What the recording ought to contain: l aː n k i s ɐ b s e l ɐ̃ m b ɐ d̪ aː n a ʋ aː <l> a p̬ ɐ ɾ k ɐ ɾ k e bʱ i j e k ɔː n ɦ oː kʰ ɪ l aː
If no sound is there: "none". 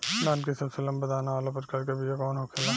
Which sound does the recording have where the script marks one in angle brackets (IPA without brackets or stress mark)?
l